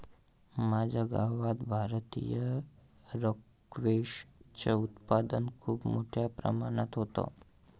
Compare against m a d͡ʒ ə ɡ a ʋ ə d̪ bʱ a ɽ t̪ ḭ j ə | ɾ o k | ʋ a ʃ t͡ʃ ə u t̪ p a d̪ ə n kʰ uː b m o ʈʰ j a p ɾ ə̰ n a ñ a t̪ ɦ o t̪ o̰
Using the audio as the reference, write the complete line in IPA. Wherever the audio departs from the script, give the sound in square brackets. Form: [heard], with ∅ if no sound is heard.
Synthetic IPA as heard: m a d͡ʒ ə ɡ a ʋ [a] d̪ bʱ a [ɾ] t̪ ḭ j ə | ɾ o k | ʋ [e] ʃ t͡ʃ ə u t̪ p a d̪ ə n kʰ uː b m o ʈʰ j a p ɾ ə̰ [m] a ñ a t̪ ɦ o t̪ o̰

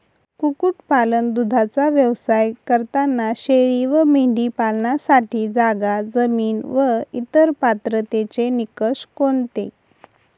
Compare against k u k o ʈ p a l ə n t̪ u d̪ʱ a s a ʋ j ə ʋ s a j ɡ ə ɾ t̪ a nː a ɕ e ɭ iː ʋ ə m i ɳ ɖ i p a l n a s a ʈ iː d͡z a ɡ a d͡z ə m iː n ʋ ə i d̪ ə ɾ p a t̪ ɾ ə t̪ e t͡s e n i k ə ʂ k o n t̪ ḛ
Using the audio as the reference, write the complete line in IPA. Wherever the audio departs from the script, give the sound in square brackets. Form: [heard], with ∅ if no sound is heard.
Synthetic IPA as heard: k u k [u] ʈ p a l ə n [d̪] u d̪ʱ a [t͡s] a ʋ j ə ʋ s a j [k] ə ɾ t̪ a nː a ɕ e ɭ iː ʋ ə m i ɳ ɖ i p a l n a s a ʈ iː d͡z a ɡ a d͡z ə m iː n ʋ ə i [t̪] ə ɾ p a t̪ ɾ ə t̪ e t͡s e n i k ə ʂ k o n t̪ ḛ

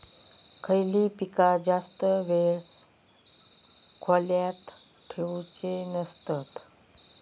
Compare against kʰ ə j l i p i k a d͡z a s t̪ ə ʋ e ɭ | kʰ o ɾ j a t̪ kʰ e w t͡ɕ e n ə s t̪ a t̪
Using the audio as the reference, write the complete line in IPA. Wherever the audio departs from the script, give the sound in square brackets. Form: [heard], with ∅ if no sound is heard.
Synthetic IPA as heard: kʰ ə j l i p i k a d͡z a s t̪ ə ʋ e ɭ | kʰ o [l] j a t̪ [ʈʰ] e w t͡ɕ e n ə s t̪ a t̪

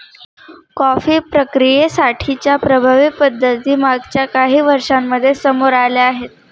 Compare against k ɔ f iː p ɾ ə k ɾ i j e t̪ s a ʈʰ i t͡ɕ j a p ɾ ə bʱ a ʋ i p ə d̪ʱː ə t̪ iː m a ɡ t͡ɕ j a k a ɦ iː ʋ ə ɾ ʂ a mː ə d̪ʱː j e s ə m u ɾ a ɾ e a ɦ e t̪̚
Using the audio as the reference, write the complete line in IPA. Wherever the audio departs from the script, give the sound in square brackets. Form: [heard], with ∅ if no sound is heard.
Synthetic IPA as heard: k ɔ f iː p ɾ ə k ɾ i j e [∅] s a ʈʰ i t͡ɕ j a p ɾ ə bʱ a ʋ i p ə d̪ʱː ə t̪ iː m a ɡ t͡ɕ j a k a ɦ iː ʋ ə ɾ ʂ a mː ə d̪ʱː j e s ə m [o] ɾ a [l] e a ɦ e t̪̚

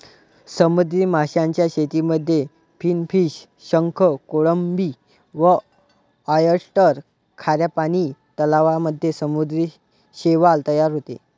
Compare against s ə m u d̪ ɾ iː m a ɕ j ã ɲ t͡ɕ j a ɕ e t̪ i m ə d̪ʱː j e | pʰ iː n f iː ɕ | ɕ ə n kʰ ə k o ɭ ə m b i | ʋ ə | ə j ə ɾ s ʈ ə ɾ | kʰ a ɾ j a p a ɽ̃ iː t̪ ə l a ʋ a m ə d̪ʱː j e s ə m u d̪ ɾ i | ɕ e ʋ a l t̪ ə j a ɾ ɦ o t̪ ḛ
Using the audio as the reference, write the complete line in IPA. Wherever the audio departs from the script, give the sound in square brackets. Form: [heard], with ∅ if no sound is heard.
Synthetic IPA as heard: s ə m u d̪ ɾ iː m a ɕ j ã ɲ t͡ɕ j a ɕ e t̪ i m ə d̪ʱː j e | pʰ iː n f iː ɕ | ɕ ə [ŋ] kʰ ə k o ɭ ə m b i | ʋ ə | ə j ə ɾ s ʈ ə ɾ | kʰ a ɾ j a p a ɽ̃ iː t̪ ə l a ʋ a m ə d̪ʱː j e s ə m u d̪ ɾ i | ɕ e ʋ a l t̪ ə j a ɾ ɦ o t̪ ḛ

